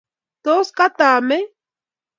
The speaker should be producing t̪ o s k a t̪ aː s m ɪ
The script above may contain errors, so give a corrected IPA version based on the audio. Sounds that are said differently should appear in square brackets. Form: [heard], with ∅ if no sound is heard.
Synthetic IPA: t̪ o s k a t̪ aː [∅] m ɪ